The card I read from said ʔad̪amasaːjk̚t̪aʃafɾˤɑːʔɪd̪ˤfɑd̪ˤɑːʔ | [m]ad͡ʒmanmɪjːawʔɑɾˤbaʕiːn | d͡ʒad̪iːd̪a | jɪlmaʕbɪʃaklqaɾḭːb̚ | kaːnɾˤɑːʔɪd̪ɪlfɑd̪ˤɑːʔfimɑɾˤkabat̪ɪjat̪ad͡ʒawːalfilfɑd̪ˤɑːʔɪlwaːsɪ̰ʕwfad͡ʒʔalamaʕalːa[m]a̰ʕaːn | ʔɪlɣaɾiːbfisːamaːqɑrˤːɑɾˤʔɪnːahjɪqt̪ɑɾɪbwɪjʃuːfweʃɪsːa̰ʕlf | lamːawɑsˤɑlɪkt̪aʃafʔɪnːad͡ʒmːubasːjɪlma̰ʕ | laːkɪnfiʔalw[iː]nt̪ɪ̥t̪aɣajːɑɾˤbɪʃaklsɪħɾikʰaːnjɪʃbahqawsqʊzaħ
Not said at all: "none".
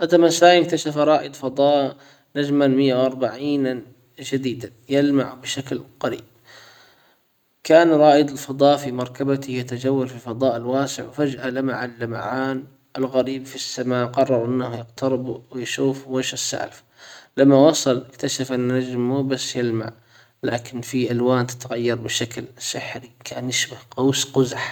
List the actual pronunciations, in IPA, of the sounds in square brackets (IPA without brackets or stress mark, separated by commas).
n, m, aː